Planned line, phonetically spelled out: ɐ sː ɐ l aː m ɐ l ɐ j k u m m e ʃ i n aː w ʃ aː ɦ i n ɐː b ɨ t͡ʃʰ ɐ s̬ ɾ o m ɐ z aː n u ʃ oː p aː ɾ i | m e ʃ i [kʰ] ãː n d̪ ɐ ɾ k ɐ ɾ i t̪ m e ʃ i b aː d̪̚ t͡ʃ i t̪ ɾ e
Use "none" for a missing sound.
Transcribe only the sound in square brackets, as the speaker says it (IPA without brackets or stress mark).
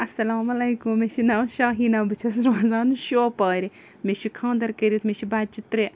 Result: kʰ